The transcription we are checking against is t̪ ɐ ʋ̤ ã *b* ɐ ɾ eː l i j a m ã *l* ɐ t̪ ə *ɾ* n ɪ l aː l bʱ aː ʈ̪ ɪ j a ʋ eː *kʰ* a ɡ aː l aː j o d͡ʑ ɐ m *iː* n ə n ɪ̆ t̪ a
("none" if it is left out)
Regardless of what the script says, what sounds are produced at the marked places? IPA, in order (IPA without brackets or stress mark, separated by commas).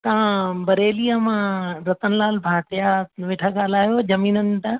b, ɾ, none, ʈʰ, iː